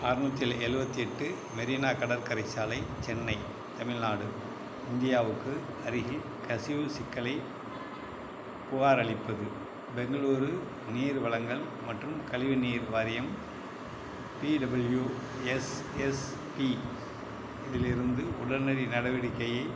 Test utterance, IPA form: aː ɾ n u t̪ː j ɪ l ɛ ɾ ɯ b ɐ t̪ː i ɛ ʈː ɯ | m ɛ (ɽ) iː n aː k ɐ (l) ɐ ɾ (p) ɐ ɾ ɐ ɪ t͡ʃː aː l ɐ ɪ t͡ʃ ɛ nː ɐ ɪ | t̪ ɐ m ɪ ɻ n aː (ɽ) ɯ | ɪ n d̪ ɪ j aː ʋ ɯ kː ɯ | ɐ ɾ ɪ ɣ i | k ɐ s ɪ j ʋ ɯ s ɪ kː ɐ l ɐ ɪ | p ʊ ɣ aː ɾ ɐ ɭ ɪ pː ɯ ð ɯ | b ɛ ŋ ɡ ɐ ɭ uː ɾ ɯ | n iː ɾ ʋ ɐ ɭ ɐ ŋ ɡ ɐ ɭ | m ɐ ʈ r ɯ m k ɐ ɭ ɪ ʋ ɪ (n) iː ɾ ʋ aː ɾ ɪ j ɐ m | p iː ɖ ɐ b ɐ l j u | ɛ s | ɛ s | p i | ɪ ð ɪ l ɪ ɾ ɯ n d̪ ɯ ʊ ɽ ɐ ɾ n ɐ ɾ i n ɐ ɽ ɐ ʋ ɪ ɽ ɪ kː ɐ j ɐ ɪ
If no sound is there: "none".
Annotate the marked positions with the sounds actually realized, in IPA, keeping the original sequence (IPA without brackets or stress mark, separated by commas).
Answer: ɾ, ɽ, k, ɽ, n